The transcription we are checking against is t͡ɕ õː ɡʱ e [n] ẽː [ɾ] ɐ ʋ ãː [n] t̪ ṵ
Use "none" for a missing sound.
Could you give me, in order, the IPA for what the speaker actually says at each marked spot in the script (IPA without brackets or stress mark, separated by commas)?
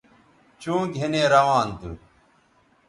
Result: n, ɾ, n